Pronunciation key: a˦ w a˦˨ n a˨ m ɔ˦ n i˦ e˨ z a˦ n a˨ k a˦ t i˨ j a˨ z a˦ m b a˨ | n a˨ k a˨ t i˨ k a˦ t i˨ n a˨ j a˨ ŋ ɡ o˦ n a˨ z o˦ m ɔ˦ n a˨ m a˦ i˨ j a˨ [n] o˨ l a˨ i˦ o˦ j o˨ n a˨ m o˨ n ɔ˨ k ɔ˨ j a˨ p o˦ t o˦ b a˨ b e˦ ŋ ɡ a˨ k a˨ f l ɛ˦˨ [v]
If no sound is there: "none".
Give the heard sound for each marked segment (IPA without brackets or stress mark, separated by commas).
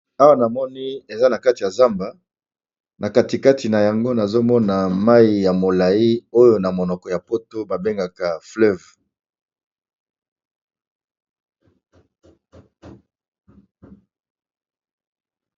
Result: m, v